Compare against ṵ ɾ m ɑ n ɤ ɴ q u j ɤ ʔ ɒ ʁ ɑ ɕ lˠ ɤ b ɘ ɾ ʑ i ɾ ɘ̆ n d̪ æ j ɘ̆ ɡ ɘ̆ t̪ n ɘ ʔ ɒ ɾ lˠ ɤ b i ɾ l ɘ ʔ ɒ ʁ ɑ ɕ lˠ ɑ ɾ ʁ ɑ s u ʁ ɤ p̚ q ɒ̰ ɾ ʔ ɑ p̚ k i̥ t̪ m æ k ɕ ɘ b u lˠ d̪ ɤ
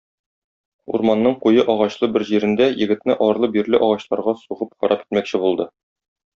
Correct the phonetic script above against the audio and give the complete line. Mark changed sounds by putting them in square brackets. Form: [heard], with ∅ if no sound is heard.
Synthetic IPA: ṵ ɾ m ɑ [nː] ɤ ɴ q u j ɤ ʔ ɒ ʁ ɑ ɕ lˠ ɤ b ɘ ɾ ʑ i ɾ ɘ̆ n d̪ æ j ɘ̆ ɡ ɘ̆ t̪ n ɘ ʔ ɒ ɾ lˠ ɤ b i ɾ l ɘ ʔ ɒ ʁ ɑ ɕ lˠ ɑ ɾ ʁ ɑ s u ʁ ɤ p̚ q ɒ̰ ɾ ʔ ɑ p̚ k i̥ t̪ m æ k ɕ ɘ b u lˠ d̪ ɤ